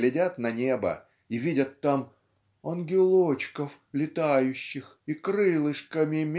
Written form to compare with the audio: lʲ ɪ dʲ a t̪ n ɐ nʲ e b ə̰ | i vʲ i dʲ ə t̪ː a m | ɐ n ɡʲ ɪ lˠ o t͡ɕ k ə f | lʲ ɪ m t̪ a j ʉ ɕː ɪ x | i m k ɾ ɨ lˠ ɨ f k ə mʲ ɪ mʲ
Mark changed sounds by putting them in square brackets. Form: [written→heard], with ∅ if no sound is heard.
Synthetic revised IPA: lʲ ɪ dʲ a t̪ n ɐ nʲ e b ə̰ | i vʲ i dʲ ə t̪ː a m | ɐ n ɡʲ ɪ lˠ o t͡ɕ k ə f | lʲ ɪ [m→∅] t̪ a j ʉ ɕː ɪ x | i [m→∅] k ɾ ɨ lˠ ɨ [f→ʂ] k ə mʲ ɪ mʲ